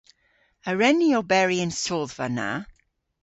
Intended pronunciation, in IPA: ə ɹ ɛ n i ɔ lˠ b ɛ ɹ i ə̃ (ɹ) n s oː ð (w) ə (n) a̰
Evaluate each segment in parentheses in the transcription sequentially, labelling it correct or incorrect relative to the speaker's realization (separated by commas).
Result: incorrect, incorrect, correct